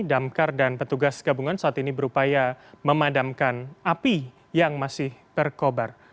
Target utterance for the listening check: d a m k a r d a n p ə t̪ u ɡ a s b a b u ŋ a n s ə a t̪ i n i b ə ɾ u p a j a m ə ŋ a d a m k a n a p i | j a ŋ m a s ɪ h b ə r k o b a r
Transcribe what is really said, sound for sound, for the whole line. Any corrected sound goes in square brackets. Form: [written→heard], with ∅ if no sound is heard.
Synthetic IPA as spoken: d a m k a r d a n p ə t̪ u ɡ a s [b→ɡ] a b u ŋ a n s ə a t̪ i n i b ə ɾ u p a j a m ə [ŋ→m] a d a m k a n a p i | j a ŋ m a s ɪ h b ə r k o b a r